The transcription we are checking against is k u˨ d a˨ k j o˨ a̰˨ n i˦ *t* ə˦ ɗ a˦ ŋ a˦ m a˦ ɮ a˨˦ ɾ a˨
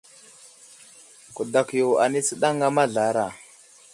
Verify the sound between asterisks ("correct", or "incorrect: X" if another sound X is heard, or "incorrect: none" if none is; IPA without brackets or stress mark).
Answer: incorrect: t͡s